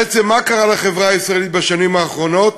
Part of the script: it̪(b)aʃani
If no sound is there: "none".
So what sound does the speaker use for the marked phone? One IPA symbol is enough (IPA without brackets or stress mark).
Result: b